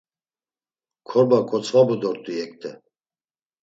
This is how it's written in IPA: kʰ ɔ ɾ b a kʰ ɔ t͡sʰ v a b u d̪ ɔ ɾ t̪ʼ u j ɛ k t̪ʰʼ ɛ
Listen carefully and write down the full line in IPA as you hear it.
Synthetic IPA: kʰ ɔ ɾ b a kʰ ɔ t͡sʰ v a b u d̪ ɔ ɾ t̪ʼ u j ɛ k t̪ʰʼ ɛ